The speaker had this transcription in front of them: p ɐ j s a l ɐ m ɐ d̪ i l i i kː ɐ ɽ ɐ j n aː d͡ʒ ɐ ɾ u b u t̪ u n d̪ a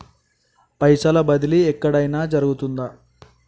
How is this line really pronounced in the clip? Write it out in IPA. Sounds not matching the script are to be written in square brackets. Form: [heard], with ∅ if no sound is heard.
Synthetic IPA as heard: p ɐ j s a l ɐ [b] ɐ d̪ i l i [ɛ] kː ɐ ɽ ɐ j n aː d͡ʒ ɐ ɾ u [ɡ] u t̪ u n d̪ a

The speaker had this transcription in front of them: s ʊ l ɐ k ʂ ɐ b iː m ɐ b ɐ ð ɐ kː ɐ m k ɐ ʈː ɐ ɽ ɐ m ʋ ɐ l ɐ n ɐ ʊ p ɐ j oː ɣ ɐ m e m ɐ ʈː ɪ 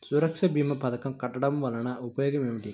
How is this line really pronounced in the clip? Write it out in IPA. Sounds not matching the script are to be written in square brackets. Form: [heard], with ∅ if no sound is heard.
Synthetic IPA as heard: s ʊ [ɾ] ɐ k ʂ ɐ b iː m ɐ [p] ɐ ð ɐ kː ɐ m k ɐ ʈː ɐ ɽ ɐ m ʋ ɐ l ɐ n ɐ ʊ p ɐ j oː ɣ ɐ m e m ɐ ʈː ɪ

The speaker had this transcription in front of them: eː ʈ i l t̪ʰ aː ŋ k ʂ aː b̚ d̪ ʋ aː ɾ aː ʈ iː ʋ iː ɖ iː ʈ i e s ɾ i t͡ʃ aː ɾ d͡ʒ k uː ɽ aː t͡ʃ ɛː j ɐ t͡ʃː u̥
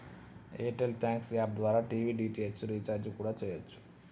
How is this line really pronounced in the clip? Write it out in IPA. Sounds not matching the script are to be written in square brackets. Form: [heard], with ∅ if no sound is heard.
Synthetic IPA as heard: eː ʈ [e] l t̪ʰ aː ŋ k [s] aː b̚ d̪ ʋ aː ɾ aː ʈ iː ʋ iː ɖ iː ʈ i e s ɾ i t͡ʃ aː ɾ d͡ʒ k uː ɽ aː t͡ʃ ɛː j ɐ t͡ʃː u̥

